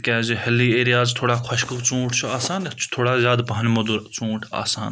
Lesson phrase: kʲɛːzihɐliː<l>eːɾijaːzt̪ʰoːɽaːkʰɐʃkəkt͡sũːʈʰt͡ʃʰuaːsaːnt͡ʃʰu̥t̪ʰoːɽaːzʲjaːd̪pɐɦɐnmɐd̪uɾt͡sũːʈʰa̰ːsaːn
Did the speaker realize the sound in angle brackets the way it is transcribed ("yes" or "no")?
no